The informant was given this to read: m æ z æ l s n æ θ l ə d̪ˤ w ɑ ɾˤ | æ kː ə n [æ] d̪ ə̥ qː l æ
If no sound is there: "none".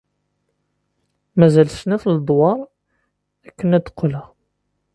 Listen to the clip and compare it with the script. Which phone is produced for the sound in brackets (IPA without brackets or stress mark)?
æ